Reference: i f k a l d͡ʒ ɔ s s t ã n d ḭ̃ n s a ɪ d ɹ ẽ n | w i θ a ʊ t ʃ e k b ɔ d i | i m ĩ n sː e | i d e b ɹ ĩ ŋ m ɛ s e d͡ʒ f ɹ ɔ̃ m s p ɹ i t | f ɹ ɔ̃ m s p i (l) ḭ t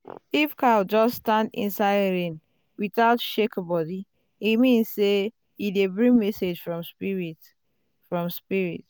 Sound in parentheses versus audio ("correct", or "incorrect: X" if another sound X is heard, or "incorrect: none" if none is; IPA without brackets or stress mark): incorrect: ɹ